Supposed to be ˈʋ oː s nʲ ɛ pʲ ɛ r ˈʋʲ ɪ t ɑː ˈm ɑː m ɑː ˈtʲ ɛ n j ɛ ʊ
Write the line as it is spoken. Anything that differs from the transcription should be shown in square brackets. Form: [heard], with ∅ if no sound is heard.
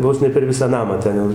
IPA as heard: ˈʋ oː s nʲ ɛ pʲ ɛ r ˈʋʲ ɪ [s] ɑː [ˈn] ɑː m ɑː ˈtʲ ɛ n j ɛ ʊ